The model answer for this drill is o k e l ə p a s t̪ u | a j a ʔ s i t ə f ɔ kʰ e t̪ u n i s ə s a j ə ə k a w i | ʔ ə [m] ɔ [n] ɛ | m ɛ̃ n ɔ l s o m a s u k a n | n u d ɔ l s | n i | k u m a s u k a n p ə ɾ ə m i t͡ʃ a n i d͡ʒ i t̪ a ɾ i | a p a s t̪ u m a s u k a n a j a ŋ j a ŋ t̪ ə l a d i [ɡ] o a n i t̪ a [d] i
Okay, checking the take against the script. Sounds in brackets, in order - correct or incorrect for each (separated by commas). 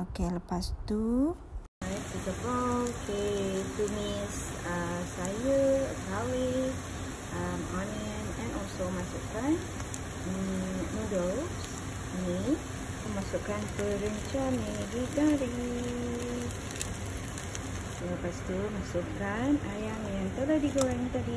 correct, correct, correct, correct